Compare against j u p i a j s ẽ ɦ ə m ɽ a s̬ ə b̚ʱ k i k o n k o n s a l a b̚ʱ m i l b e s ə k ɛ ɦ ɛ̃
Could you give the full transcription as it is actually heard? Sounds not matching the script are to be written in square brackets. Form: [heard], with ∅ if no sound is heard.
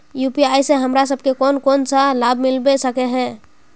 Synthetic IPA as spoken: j u p i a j s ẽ ɦ ə m [ɾ] a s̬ ə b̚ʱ k [e] k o n k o n s a l a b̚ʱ m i l b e s ə k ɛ ɦ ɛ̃